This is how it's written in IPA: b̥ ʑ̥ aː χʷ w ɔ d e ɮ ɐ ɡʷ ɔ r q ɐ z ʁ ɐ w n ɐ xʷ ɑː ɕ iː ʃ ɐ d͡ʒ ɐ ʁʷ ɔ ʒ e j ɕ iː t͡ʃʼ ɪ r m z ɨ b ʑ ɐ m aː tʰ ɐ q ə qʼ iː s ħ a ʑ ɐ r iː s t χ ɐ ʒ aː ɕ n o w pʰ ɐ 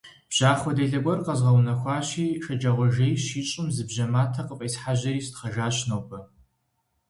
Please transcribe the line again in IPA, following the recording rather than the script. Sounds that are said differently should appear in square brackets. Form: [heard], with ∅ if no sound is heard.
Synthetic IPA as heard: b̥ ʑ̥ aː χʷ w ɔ d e ɮ ɐ ɡʷ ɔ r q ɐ z ʁ ɐ w n ɐ xʷ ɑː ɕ iː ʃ ɐ d͡ʒ ɐ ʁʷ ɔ ʒ e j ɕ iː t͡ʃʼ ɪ [∅] m z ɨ b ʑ ɐ m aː tʰ ɐ q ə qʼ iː s ħ a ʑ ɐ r iː s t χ ɐ ʒ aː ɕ n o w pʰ ɐ